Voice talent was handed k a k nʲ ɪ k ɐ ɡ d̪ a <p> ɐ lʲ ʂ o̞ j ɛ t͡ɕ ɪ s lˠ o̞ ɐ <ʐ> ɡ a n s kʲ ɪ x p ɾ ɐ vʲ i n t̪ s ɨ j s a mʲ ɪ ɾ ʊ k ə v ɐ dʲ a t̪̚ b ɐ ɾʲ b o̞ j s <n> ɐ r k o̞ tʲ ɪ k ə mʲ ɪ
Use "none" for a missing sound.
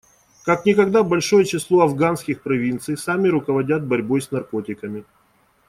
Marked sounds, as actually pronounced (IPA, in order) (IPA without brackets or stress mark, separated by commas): b, v, n